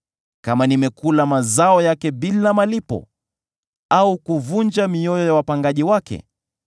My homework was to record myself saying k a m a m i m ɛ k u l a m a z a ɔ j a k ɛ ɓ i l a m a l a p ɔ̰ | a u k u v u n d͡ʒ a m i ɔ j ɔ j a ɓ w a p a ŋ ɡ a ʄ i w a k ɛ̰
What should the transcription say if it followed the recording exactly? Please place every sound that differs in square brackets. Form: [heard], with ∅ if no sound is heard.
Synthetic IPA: k a m a [n] i m ɛ k u l a m a z a ɔ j a k ɛ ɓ i l a m a l [i] p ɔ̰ | a u k u v u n d͡ʒ a m i ɔ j ɔ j a [∅] w a p a ŋ ɡ a ʄ i w a k ɛ̰